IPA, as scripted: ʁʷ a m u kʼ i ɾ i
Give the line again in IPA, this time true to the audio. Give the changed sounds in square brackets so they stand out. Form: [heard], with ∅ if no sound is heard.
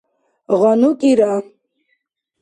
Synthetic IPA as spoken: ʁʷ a [n] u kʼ i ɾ [a]